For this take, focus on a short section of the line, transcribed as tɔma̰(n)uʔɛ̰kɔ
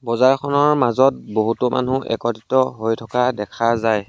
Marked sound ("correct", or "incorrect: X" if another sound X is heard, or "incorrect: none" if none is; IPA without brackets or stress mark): correct